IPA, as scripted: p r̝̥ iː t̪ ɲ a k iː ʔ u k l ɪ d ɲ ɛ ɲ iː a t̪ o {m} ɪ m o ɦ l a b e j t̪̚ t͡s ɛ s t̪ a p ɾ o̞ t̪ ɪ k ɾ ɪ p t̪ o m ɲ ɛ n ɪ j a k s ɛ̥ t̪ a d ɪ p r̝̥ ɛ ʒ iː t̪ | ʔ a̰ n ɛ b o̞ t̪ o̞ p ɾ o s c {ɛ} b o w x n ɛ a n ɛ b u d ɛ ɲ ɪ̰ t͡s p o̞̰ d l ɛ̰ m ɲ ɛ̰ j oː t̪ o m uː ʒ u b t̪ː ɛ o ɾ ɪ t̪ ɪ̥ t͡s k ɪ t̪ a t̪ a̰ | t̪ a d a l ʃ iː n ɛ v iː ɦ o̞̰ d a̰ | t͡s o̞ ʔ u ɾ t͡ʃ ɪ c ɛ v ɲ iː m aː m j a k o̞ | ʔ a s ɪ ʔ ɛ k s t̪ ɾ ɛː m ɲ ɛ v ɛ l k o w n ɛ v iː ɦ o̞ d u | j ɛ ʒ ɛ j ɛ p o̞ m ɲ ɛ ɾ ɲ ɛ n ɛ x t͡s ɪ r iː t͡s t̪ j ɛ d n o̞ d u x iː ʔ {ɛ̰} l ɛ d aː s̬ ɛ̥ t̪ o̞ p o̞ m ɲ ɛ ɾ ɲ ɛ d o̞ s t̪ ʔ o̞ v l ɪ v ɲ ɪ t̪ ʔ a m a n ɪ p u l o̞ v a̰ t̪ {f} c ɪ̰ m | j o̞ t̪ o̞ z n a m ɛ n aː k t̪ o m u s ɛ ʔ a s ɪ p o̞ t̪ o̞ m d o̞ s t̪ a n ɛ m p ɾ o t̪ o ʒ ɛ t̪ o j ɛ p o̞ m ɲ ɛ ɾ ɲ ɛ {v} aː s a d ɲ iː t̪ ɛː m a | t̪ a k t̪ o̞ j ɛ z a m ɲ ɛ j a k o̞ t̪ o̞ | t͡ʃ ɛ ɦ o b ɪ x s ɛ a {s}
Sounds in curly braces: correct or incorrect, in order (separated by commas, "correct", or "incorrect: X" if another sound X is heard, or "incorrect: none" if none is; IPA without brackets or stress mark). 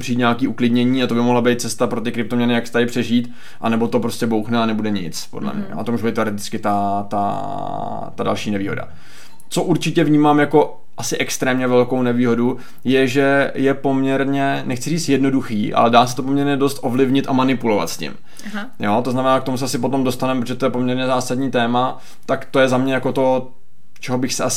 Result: incorrect: b, correct, incorrect: a̰, incorrect: s, incorrect: z, correct